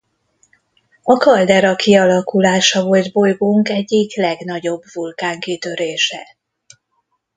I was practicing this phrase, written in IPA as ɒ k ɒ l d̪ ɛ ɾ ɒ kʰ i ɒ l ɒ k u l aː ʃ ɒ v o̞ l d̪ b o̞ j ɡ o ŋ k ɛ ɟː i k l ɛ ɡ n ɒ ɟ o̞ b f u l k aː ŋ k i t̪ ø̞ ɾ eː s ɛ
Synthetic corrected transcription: ɒ k ɒ l d̪ ɛ ɾ ɒ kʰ i ɒ l ɒ k u l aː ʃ ɒ v o̞ l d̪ b o̞ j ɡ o ŋ k ɛ ɟː i k l ɛ ɡ n ɒ ɟ o̞ b v u l k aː ŋ k i t̪ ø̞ ɾ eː ʃ ɛ